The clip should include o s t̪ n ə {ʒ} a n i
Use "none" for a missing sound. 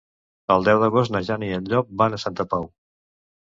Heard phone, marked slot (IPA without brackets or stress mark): ʒ